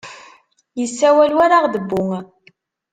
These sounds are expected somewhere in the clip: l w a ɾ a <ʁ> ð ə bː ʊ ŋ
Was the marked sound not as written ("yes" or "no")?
no